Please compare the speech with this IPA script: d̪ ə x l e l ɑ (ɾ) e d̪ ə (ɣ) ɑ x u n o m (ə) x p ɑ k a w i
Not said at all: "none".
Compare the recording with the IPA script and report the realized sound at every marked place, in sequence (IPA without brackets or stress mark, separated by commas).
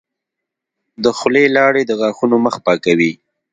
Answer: ɽ, ɣ, ə